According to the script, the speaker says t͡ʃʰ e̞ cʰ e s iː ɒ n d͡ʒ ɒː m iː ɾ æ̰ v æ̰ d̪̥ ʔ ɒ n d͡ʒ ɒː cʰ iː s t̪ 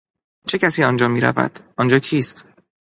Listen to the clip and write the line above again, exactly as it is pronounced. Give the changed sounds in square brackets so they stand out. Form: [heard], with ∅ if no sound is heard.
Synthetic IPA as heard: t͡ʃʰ e̞ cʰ [æ] s iː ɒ n d͡ʒ ɒː m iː ɾ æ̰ v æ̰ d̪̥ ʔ ɒ n d͡ʒ ɒː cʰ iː s t̪